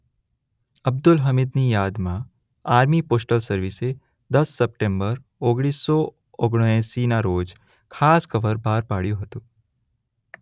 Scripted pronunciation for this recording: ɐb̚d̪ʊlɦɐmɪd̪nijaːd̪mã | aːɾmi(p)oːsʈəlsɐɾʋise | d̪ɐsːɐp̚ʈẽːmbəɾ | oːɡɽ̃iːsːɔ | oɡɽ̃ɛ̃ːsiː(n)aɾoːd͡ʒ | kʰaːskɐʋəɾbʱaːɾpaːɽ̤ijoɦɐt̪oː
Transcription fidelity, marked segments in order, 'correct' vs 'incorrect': correct, correct

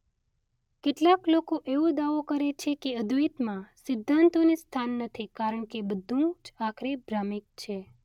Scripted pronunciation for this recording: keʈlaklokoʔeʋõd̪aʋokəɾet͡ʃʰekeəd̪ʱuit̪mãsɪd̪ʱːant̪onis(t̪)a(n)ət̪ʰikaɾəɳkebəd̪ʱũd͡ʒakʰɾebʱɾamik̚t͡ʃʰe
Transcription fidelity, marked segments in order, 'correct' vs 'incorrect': incorrect, incorrect

